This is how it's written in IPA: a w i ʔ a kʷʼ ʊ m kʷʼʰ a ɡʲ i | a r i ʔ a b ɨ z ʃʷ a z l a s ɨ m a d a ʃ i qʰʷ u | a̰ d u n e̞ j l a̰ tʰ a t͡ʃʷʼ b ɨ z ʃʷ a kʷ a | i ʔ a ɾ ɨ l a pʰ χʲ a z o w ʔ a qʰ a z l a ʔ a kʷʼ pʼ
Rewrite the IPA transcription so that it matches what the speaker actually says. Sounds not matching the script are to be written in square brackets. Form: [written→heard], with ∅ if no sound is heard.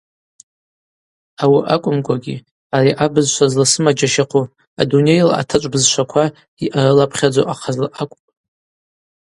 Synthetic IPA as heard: a w i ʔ a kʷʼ ʊ m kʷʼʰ a ɡʲ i | a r i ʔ a b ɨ z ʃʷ a z l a s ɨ m a [d→d͡ʒ] a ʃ [i→a] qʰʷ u | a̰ d u n e̞ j l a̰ tʰ a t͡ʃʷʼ b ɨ z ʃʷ a [kʷ→kʷʰ] a | i ʔ a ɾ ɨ l a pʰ χʲ a [z→d͡z] o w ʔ a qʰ a z l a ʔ a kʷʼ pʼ